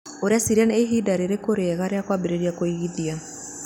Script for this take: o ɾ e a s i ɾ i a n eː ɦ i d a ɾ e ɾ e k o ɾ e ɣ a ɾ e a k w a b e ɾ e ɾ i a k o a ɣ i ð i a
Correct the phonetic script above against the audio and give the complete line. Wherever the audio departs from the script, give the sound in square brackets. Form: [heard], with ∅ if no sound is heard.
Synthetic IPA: o ɾ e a s i ɾ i a n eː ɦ i d a ɾ e ɾ e k o ɾ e ɣ a ɾ e a k w a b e ɾ e ɾ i a k o [i] ɣ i ð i a